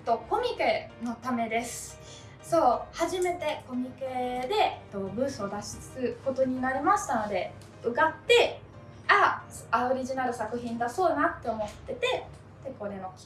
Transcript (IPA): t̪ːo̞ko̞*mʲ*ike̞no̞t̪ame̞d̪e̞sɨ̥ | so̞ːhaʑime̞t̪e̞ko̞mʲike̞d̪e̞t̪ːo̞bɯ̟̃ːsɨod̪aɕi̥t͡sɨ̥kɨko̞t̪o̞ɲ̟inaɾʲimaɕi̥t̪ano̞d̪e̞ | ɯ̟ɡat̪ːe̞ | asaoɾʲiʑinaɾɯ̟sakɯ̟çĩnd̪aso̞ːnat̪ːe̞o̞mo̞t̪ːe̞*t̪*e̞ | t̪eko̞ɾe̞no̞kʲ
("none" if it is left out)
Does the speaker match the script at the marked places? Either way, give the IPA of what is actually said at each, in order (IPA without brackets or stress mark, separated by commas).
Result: mʲ, t̪